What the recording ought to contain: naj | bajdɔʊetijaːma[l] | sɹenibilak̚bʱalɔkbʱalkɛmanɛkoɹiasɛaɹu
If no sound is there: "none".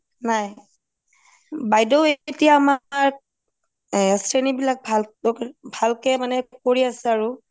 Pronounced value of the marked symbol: ɹ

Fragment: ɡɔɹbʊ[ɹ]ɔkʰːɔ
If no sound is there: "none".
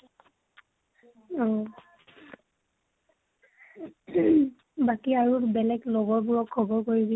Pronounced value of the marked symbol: ɹ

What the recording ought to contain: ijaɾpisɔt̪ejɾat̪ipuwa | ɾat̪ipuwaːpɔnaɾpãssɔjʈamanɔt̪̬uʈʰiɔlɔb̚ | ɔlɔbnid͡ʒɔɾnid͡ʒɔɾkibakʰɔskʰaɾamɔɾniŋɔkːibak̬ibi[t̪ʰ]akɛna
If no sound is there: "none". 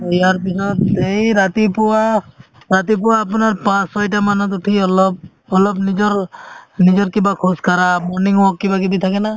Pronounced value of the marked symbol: t̪ʰ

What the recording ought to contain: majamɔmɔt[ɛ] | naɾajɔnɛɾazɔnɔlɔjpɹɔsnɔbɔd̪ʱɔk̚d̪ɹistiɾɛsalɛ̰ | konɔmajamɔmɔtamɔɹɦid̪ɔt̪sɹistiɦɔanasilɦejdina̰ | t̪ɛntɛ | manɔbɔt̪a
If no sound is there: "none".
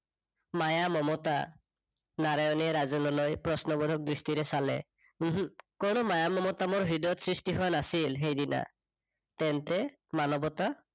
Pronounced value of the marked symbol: a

